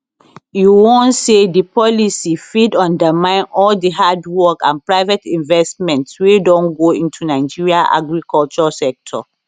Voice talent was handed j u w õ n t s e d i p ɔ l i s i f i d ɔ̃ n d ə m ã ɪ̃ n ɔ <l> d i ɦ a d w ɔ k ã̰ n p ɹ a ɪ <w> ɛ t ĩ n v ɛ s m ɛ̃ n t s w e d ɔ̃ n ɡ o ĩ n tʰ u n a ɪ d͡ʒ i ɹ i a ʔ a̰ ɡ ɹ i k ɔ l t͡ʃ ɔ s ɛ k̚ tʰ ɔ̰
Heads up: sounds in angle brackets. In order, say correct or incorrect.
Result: correct, incorrect: v

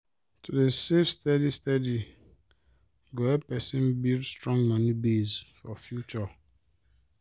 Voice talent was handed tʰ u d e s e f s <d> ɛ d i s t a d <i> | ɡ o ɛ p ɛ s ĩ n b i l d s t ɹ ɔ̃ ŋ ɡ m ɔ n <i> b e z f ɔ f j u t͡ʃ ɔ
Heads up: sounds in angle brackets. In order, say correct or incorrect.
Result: incorrect: t, correct, correct

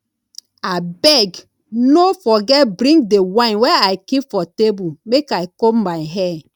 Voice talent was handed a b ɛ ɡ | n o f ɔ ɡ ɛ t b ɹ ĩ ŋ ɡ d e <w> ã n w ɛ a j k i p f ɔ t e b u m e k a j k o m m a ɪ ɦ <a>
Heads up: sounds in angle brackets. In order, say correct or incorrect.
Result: correct, incorrect: ɛ

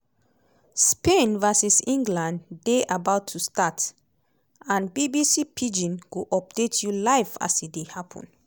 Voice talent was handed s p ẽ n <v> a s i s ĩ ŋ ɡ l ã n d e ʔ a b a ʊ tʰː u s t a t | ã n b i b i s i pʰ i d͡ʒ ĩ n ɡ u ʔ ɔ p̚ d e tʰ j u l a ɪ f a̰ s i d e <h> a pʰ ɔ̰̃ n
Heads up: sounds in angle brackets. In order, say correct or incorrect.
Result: correct, correct

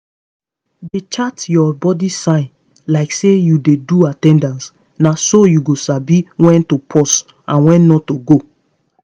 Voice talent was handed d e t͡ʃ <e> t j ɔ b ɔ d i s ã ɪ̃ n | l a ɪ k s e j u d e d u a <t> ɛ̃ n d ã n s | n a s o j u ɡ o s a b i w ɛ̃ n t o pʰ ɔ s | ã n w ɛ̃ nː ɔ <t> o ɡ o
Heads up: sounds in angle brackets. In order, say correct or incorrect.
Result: incorrect: a, correct, correct

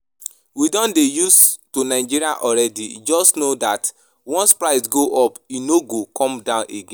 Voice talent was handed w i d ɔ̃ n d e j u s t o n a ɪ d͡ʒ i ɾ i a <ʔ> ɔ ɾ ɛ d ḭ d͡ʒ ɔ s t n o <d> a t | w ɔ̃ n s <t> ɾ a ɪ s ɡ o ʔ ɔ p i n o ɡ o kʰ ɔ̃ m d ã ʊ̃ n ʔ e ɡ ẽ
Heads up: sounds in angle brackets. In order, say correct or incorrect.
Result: correct, correct, incorrect: p

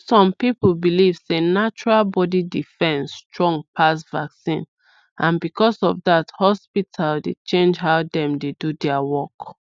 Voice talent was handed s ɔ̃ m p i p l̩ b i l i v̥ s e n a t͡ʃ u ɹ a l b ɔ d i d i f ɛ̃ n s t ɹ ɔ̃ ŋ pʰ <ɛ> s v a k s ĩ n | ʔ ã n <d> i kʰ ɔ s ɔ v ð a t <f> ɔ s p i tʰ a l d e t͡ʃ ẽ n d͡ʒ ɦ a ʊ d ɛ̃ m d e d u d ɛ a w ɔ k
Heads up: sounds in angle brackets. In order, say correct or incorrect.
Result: incorrect: a, incorrect: b, incorrect: h

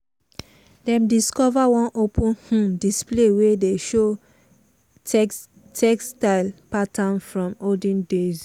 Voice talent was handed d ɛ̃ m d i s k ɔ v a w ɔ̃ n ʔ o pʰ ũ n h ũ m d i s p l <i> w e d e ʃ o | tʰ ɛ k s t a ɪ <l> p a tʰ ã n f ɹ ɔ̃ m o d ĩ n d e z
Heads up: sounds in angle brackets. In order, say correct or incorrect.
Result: incorrect: e, correct

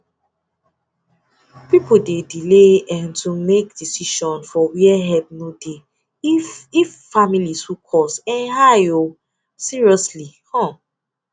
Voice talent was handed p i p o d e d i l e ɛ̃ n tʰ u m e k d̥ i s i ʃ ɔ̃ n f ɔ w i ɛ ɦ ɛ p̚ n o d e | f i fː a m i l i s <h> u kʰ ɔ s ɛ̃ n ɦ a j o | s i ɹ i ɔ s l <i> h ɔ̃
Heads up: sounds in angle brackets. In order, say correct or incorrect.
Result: correct, correct

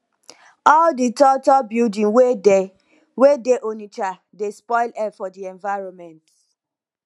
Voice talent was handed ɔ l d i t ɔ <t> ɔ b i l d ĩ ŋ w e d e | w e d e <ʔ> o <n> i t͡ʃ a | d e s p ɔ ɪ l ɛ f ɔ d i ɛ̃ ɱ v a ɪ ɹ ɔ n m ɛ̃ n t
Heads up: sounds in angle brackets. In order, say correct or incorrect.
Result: correct, correct, correct

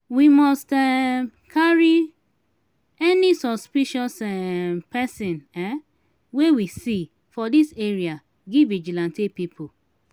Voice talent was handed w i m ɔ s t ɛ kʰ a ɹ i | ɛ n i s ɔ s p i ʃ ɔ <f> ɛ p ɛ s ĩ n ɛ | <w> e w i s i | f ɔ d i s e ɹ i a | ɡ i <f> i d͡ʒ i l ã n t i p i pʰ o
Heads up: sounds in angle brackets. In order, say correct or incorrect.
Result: incorrect: s, correct, incorrect: v

